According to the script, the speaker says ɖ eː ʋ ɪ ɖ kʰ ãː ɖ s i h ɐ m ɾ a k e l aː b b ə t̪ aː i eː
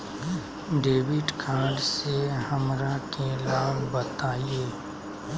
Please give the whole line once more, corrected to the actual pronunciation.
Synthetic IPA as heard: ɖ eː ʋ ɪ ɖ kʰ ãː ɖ s e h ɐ m ɾ a k e l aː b b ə t̪ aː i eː

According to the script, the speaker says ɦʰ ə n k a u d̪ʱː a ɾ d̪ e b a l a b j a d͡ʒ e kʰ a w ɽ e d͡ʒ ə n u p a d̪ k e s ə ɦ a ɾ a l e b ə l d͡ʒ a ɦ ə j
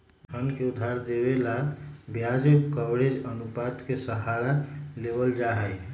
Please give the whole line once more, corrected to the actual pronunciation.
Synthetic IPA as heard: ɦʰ ə n k e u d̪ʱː a ɾ d̪ e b e l a b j a d͡ʒ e k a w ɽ e d͡ʒ ə n u p a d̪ k e s ə ɦ a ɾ a l e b ə l d͡ʒ a ɦ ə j

